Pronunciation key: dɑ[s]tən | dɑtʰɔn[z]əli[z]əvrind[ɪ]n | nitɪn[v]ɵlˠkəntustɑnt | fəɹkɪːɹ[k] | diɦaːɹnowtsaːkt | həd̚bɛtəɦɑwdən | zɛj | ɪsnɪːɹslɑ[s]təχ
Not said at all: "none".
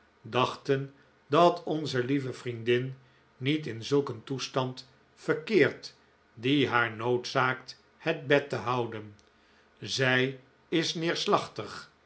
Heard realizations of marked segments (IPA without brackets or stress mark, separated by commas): χ, z, v, ɪ, z, t, χ